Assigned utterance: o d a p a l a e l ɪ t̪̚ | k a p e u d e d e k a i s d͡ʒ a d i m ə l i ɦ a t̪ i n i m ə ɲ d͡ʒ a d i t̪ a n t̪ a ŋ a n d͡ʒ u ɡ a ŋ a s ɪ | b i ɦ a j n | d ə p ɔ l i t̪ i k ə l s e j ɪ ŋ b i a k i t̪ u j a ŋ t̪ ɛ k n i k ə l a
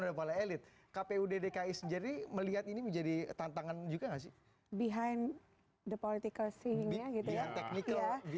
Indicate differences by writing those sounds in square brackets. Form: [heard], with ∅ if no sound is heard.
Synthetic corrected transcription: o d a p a l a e l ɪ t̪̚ | k a p e u d e d e k a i s d͡ʒ a d i m ə l i ɦ a t̪ i n i m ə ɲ d͡ʒ a d i t̪ a n t̪ a ŋ a n d͡ʒ u ɡ a ŋ a s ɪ | b i ɦ a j n | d ə p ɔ l i t̪ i k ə l s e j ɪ ŋ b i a [ɡ] i t̪ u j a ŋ t̪ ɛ k n i k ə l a